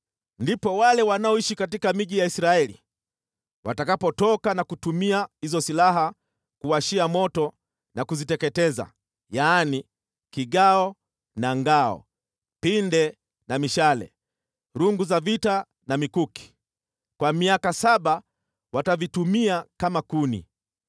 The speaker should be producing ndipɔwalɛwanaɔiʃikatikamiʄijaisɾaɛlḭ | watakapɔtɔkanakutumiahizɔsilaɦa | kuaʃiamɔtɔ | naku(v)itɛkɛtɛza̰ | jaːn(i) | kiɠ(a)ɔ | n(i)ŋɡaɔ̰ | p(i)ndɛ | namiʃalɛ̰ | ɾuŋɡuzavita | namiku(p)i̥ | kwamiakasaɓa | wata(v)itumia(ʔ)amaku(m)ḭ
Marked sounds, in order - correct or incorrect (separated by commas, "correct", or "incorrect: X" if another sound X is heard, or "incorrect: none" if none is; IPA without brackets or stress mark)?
incorrect: z, correct, correct, incorrect: a, correct, incorrect: k, correct, incorrect: k, incorrect: n